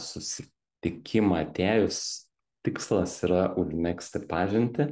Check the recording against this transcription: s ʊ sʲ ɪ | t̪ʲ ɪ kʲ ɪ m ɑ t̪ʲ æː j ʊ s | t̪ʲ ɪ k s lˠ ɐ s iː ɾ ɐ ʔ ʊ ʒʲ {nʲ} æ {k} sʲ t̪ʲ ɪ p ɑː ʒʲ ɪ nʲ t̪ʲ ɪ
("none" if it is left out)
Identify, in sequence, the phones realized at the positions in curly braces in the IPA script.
mʲ, k

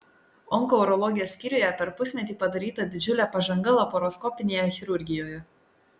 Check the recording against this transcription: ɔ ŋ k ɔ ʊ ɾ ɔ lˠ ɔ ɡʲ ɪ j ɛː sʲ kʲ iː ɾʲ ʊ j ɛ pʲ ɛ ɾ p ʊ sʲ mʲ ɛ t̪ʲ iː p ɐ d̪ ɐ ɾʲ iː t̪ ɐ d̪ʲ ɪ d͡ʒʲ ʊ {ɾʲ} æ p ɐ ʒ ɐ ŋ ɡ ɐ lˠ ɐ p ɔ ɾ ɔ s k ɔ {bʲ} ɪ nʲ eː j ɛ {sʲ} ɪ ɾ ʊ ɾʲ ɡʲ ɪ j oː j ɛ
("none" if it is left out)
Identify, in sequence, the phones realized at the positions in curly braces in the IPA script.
lʲ, pʲ, xʲ

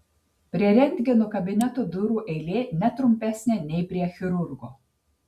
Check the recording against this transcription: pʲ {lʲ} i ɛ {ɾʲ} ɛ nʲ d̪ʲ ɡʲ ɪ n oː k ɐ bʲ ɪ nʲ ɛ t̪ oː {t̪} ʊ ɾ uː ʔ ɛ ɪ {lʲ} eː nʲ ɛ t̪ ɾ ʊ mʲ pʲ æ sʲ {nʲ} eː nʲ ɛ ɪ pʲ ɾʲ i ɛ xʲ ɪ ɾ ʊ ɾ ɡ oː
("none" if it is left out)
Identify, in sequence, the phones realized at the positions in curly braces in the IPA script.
ɾʲ, ɾʲ, d̪, lʲ, nʲ

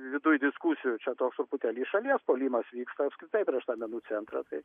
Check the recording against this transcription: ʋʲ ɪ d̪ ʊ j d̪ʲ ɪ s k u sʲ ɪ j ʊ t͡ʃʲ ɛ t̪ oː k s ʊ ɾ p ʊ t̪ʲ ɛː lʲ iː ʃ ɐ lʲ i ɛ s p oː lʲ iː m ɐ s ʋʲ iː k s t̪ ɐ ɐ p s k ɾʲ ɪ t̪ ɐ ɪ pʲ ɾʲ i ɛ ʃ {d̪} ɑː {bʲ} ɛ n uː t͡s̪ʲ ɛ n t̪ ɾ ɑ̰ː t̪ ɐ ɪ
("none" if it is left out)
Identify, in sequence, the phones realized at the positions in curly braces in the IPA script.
t̪, mʲ

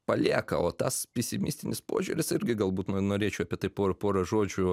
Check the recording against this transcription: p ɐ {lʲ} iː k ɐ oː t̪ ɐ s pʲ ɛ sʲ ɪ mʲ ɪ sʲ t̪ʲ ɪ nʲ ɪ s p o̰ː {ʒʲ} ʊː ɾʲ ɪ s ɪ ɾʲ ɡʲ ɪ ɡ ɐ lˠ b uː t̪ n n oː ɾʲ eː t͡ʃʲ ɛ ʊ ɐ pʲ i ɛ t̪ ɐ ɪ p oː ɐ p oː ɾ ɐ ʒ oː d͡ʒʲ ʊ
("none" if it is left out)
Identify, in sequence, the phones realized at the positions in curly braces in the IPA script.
lʲ, ʒʲ

